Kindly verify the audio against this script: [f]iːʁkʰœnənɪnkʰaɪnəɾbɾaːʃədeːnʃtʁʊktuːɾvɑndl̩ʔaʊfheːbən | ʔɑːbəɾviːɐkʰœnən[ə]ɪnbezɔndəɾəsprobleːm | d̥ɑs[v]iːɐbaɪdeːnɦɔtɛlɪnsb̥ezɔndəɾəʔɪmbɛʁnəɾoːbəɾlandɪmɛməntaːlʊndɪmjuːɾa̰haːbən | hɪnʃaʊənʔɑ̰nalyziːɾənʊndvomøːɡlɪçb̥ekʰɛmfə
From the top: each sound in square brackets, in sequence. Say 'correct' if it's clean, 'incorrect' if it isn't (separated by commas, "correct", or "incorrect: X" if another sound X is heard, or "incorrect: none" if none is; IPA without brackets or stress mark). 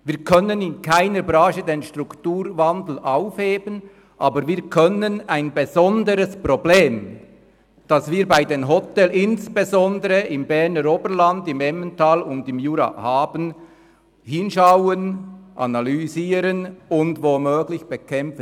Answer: incorrect: v, incorrect: a, correct